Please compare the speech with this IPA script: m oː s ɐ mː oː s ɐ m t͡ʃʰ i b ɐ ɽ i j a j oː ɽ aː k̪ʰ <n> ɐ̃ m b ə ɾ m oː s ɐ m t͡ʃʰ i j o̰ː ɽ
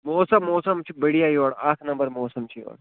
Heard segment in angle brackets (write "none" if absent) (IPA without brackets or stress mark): n